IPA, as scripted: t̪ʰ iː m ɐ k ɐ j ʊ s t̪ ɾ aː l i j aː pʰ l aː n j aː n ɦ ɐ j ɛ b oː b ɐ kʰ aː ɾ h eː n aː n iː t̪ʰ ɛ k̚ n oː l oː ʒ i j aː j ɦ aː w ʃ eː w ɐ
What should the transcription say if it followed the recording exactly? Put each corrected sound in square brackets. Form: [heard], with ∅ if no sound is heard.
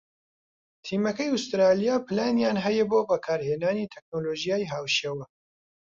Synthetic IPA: t̪ʰ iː m ɐ k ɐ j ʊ s t̪ ɾ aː l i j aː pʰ l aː n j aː n ɦ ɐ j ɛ b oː b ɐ kʰ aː ɾ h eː n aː n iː t̪ʰ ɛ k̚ n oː l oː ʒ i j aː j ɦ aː w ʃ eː w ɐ